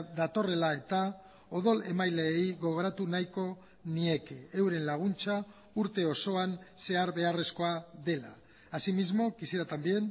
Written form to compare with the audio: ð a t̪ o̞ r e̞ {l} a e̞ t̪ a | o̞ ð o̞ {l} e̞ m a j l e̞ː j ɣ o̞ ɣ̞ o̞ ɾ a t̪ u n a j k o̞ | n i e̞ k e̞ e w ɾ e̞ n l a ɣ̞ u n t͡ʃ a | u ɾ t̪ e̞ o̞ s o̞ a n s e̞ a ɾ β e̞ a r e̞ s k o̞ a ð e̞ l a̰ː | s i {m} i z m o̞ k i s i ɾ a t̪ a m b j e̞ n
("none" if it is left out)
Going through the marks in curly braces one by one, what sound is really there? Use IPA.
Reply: l, l, m

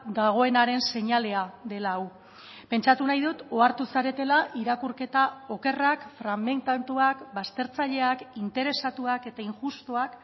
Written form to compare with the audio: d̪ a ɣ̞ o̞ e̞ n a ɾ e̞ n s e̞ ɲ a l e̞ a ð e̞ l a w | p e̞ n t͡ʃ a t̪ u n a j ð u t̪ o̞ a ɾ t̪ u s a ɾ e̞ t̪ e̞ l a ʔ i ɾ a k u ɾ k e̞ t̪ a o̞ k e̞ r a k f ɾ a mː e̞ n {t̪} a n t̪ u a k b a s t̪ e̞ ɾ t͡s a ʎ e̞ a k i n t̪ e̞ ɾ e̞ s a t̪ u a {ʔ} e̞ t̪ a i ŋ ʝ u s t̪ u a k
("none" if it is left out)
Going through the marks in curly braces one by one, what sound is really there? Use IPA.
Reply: t̪, k

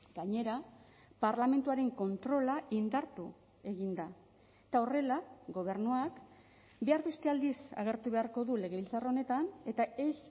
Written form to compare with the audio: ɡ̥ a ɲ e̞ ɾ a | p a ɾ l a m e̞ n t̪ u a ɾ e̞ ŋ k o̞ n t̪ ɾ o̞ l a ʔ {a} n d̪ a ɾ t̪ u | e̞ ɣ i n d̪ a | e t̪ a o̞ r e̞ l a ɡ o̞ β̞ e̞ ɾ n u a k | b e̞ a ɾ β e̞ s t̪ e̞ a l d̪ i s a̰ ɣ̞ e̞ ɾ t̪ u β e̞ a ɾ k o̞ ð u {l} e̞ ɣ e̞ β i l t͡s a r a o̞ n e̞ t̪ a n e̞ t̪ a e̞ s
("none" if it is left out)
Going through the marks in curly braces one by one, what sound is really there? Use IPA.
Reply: i, l

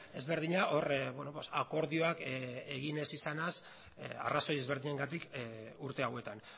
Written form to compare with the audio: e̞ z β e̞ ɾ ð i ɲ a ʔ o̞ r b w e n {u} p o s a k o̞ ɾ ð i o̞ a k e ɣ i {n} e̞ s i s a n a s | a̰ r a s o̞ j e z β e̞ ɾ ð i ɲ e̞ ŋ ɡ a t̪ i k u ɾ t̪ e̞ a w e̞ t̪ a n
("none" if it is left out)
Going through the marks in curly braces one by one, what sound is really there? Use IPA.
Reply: o, n

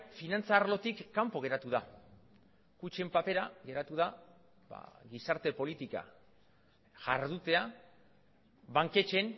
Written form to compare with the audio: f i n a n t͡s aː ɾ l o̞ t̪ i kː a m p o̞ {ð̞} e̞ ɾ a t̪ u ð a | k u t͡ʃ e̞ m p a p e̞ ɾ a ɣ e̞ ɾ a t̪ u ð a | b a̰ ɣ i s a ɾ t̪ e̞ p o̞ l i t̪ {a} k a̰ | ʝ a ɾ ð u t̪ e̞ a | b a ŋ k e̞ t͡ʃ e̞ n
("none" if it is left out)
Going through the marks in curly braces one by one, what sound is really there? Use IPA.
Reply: ɣ̞, i

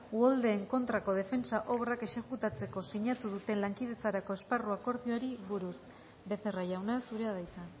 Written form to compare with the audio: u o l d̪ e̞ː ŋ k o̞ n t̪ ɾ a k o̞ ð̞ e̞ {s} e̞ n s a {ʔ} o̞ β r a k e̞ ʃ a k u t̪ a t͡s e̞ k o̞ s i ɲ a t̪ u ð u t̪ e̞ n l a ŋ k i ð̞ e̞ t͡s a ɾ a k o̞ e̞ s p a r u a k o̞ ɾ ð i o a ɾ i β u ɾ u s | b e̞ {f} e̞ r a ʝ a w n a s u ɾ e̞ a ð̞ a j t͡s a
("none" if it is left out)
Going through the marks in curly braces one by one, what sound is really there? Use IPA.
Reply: f, ʔ, θ

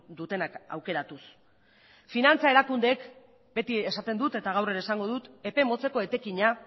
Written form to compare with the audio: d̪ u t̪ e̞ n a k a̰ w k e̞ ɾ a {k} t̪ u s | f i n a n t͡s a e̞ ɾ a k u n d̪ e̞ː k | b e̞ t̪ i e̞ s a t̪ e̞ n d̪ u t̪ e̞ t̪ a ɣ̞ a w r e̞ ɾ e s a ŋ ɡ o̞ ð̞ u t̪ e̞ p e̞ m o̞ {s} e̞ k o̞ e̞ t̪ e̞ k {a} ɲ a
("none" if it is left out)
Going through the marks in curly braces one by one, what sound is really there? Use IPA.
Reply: none, t͡s, i

